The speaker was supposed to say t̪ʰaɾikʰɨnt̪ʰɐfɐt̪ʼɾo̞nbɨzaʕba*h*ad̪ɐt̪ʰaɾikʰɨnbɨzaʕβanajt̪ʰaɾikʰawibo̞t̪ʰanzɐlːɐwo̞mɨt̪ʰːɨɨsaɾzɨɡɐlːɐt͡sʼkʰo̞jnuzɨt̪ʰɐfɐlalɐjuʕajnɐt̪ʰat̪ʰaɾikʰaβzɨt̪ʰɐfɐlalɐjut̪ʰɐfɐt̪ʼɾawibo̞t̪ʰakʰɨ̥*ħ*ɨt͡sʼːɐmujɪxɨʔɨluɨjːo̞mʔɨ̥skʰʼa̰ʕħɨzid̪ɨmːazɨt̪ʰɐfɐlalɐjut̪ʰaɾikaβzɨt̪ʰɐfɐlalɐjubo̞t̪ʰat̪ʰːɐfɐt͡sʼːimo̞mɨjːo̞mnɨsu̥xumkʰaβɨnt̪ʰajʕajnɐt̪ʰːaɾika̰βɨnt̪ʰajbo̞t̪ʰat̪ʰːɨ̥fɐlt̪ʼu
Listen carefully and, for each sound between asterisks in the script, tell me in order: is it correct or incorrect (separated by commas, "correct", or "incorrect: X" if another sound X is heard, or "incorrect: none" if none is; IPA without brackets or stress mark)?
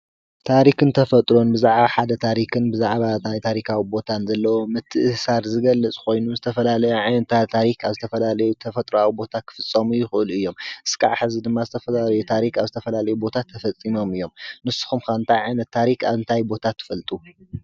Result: incorrect: ħ, incorrect: f